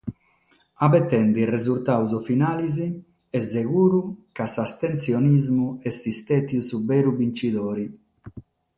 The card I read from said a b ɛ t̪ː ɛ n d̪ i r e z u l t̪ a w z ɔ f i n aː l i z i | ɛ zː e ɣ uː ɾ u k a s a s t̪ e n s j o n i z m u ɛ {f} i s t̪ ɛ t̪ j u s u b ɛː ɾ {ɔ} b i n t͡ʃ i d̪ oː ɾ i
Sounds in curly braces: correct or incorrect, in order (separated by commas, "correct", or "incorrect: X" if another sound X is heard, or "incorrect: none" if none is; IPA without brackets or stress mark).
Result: incorrect: s, incorrect: u